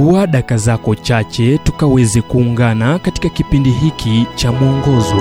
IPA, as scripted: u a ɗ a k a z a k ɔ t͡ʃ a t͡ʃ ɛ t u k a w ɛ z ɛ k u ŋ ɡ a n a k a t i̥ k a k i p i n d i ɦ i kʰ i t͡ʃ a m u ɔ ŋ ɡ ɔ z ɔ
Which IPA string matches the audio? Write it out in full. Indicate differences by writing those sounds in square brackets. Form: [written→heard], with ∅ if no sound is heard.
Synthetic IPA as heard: u a ɗ a k a z a k ɔ t͡ʃ a t͡ʃ ɛ t u k a w ɛ z ɛ k [u→uː] ŋ ɡ a n a k a t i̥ k a k i p i n d i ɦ i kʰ i t͡ʃ a m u ɔ ŋ ɡ ɔ z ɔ